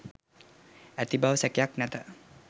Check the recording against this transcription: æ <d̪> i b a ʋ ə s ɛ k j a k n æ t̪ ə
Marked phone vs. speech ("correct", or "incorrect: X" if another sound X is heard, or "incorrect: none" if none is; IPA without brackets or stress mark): incorrect: t̪